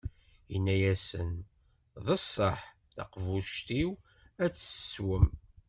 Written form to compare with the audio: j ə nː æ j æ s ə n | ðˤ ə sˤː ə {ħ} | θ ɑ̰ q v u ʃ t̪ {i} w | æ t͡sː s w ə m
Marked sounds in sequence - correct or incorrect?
correct, correct

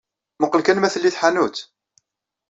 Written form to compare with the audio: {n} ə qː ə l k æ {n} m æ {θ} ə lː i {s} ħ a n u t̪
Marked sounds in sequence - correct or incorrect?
incorrect: m, correct, correct, incorrect: θ

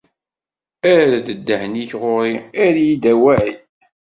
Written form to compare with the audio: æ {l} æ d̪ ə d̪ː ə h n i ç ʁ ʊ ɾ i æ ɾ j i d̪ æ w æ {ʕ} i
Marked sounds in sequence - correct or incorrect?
incorrect: ɾ, correct

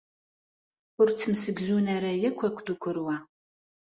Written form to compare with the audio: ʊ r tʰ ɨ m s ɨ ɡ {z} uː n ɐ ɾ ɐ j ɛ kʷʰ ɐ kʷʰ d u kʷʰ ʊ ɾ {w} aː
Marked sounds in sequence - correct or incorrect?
correct, correct

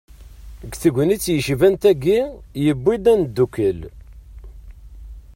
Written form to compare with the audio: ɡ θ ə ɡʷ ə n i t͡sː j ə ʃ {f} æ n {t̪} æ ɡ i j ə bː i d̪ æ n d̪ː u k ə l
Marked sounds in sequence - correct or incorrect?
incorrect: v, correct

